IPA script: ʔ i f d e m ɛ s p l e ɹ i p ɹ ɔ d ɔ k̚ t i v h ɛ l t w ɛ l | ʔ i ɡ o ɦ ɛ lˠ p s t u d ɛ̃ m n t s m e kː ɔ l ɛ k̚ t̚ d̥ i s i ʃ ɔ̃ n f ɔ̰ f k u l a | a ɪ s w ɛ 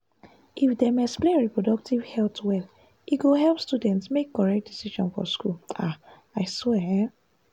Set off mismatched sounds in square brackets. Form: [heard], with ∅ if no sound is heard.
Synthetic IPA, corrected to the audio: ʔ i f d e m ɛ s p l e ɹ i p ɹ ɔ d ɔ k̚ t i v h ɛ l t w ɛ l | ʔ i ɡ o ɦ ɛ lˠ p s t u d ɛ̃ [∅] n t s m e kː ɔ [ɹ] ɛ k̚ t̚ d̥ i s i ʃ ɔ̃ n f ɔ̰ [s] k u l a | a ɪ s w ɛ